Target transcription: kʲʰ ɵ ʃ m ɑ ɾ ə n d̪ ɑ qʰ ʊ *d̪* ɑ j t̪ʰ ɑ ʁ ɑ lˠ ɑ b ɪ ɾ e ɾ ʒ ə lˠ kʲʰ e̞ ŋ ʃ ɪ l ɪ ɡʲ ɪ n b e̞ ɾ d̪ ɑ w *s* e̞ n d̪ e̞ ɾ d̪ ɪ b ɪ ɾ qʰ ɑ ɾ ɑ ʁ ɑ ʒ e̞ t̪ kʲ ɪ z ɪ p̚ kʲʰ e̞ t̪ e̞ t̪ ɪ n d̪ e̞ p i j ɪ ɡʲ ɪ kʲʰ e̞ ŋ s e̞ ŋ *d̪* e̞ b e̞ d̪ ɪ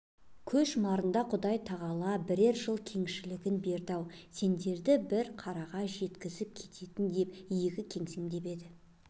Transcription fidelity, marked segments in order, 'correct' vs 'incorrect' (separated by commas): correct, correct, correct